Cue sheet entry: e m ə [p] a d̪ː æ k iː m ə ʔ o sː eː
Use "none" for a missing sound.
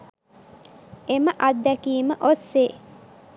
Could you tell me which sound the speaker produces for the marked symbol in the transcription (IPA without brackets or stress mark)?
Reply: ʔ